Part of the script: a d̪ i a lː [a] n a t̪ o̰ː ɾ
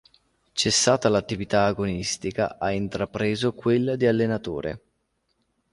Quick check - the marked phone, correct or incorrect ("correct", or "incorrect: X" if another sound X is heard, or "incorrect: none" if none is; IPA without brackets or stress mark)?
incorrect: e